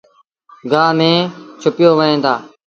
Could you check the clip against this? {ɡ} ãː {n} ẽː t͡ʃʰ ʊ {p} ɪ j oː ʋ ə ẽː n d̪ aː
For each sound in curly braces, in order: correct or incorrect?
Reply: correct, incorrect: m, correct

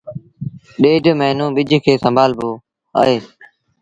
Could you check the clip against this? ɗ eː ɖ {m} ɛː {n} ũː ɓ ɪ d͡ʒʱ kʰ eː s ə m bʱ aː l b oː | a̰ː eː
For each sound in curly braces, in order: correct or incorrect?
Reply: correct, correct

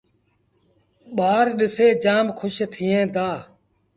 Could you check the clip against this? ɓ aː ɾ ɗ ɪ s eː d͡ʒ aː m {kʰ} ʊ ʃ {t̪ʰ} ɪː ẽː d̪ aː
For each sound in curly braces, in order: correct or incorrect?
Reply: correct, correct

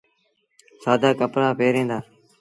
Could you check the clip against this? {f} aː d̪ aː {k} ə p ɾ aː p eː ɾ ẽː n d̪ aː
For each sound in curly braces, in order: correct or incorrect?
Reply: incorrect: s, correct

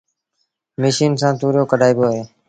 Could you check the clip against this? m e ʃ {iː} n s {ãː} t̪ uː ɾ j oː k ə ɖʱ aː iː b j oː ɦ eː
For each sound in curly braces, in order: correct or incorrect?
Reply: correct, correct

